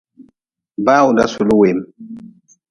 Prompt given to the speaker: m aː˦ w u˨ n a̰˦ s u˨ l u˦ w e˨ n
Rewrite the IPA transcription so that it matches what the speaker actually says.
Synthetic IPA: b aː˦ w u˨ d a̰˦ s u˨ l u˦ w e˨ m